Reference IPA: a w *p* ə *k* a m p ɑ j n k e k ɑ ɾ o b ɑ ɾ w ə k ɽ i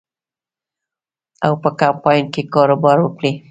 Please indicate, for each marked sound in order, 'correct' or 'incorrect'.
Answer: correct, correct

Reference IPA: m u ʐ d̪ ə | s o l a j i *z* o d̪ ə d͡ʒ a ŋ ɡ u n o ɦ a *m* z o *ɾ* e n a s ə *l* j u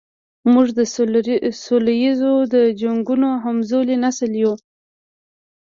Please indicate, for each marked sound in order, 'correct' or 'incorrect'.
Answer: correct, correct, incorrect: l, correct

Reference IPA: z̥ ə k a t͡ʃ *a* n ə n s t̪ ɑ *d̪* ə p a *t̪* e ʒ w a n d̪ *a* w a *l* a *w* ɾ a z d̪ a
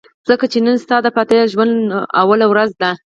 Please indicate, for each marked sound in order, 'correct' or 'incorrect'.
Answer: incorrect: e, correct, correct, correct, correct, correct

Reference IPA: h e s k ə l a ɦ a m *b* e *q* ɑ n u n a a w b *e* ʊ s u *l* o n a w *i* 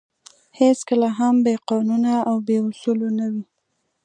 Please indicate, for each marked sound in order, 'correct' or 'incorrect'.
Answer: correct, correct, correct, correct, correct

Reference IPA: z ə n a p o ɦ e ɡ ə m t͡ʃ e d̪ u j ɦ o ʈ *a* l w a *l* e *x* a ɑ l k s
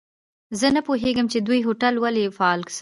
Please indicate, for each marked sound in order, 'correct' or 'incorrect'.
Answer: correct, correct, incorrect: f

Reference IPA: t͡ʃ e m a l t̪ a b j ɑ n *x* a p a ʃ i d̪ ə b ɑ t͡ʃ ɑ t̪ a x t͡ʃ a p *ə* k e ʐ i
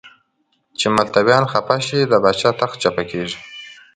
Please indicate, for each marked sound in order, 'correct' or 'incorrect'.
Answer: correct, incorrect: a

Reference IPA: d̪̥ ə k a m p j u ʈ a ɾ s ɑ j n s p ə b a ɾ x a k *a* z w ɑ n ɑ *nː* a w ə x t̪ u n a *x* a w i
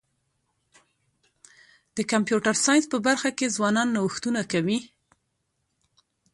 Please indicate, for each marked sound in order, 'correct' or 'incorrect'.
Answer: incorrect: e, correct, incorrect: k

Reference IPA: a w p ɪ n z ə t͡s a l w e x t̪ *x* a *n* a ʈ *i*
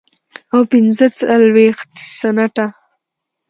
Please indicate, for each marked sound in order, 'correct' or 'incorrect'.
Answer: incorrect: s, correct, incorrect: a

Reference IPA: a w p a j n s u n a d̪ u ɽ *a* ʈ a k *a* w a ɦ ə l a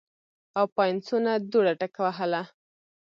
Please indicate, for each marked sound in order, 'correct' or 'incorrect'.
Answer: correct, correct

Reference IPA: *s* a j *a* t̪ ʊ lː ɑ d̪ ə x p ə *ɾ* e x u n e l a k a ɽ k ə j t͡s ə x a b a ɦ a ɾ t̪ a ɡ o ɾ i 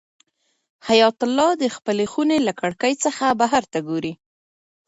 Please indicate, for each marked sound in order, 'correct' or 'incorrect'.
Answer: incorrect: h, incorrect: ɑ, incorrect: l

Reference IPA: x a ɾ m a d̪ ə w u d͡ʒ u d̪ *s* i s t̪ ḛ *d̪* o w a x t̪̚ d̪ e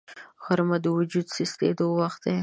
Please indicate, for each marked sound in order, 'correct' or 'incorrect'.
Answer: correct, correct

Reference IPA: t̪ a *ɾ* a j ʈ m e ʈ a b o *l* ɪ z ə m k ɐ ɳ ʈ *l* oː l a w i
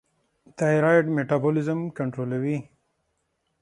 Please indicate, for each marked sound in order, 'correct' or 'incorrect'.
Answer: correct, correct, incorrect: ɾ

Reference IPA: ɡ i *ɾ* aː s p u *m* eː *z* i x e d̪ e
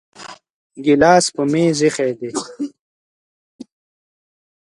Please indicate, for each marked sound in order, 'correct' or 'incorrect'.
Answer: incorrect: l, correct, correct

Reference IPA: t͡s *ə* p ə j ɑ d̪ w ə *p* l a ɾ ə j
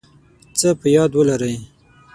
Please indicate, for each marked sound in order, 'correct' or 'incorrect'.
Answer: correct, incorrect: none

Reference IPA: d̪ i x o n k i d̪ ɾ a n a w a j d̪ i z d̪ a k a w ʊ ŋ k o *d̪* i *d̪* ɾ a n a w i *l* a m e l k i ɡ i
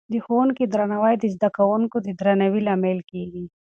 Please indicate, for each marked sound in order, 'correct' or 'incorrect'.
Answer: correct, correct, correct

